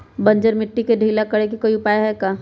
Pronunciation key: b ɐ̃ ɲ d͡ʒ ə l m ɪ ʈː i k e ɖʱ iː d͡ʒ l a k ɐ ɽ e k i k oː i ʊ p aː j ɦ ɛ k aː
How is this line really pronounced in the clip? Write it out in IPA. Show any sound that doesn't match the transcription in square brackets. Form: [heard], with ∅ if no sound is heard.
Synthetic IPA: b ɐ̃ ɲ d͡ʒ ə [ɾ] m ɪ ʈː i k e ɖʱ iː [∅] l a k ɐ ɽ e k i k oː i ʊ p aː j ɦ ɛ k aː

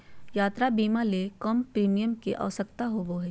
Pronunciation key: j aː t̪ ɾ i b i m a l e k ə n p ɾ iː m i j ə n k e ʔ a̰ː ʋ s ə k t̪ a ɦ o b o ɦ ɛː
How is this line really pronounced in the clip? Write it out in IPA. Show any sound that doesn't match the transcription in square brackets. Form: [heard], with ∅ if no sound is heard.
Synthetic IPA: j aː t̪ ɾ [a] b [iː] m a l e k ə [m] p ɾ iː m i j ə [m] k e ʔ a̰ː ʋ s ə k t̪ a ɦ o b o ɦ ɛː

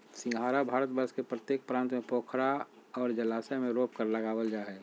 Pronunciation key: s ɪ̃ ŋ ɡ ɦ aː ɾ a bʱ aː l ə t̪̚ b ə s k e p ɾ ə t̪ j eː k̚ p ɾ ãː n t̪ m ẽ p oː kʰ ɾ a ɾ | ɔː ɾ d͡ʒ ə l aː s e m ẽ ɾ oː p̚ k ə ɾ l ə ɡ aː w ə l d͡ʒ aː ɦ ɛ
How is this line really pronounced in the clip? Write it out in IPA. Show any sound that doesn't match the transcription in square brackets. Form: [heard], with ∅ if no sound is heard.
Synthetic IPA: s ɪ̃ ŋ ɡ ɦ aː ɾ a bʱ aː [ɾ] ə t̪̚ b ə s k e p ɾ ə t̪ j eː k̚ p ɾ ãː n t̪ m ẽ p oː kʰ ɾ a [∅] | ɔː ɾ d͡ʒ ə l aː s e m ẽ ɾ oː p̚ k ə ɾ l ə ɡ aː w ə l d͡ʒ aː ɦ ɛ

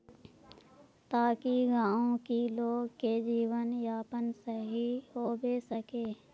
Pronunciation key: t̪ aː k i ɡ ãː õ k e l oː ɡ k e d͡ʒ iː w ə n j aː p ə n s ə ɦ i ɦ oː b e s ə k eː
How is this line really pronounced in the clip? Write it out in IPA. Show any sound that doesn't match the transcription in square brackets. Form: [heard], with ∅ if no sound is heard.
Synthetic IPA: t̪ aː k i ɡ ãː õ k [i] l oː ɡ k e d͡ʒ iː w ə n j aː p ə n s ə ɦ i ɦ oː b e s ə k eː

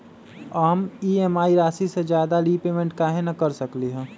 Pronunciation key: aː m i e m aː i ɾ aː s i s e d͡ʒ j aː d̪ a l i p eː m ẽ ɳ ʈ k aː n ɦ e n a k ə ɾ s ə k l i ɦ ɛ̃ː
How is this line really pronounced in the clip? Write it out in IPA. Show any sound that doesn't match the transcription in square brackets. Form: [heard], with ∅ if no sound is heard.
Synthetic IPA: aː m i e m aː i ɾ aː s i s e d͡ʒ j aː d̪ a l i p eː m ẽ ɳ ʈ k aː [∅] ɦ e n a k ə ɾ s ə k l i ɦ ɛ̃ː

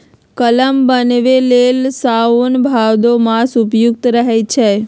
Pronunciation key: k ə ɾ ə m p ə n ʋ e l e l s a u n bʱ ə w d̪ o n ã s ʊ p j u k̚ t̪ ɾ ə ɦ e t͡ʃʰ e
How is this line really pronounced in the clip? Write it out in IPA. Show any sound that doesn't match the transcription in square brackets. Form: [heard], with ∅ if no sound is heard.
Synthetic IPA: k ə [l] ə m [b] ə n ʋ e l e l s a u n bʱ [a] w d̪ o [m] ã s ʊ p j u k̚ t̪ ɾ ə ɦ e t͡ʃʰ e

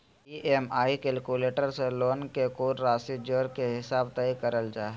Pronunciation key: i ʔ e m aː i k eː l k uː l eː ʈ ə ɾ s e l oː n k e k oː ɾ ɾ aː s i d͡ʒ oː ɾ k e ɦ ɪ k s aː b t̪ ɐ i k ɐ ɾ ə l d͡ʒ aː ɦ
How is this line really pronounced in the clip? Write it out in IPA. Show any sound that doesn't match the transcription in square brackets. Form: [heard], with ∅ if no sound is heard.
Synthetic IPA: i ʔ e m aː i k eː l k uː l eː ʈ ə ɾ s e l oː n k e k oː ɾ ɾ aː s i d͡ʒ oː ɾ k e ɦ ɪ [∅] s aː b t̪ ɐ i k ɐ ɾ ə l d͡ʒ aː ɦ

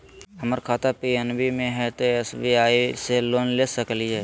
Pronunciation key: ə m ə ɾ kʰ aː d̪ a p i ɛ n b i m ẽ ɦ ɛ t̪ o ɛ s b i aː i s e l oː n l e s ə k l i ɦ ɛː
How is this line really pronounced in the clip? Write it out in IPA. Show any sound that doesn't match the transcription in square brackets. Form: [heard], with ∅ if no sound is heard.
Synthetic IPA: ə m ə ɾ kʰ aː [t̪] a p i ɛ n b i m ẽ ɦ ɛ t̪ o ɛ s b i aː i s e l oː n l e s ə k l i ɦ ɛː

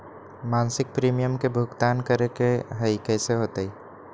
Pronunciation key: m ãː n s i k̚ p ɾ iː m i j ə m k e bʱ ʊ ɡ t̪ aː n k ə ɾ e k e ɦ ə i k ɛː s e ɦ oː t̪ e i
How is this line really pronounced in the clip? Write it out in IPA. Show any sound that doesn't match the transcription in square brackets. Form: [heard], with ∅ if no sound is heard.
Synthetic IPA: m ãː n s [ɪ] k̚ p ɾ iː m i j ə m k e bʱ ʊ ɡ t̪ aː n k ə ɾ e k e ɦ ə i k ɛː s e ɦ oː t̪ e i

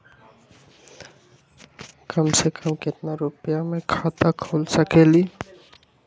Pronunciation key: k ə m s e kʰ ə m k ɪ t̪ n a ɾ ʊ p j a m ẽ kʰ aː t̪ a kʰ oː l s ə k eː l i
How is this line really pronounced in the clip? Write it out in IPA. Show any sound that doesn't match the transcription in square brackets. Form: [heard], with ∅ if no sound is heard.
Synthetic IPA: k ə m s e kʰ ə m k ɪ t̪ n a ɾ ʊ p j a m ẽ kʰ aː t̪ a kʰ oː l s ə k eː l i

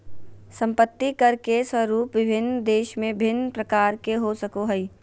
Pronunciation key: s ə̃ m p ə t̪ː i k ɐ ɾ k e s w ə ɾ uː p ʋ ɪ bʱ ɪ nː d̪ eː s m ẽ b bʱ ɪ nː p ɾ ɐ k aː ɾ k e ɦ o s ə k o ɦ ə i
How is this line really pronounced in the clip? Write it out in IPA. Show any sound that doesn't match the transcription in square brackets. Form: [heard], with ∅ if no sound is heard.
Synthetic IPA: s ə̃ m p ə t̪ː i k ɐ ɾ k e s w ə ɾ uː p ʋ ɪ bʱ ɪ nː d̪ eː [ʃ] m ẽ b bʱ ɪ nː p ɾ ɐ k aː ɾ k e ɦ o s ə k o ɦ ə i

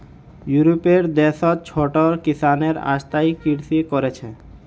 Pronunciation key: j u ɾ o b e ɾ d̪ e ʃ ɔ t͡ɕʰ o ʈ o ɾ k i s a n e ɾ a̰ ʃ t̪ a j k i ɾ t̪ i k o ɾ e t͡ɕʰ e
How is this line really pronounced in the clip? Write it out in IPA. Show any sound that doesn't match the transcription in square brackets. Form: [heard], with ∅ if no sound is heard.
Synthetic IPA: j u ɾ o [p] e ɾ d̪ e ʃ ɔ t͡ɕʰ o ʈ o ɾ k i s a n e ɾ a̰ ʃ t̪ a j k i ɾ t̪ i k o ɾ e t͡ɕʰ e

